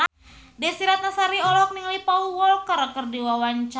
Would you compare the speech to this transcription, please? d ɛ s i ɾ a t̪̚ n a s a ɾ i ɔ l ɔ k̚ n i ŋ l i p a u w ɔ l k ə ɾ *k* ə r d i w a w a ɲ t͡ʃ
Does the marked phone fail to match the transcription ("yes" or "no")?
no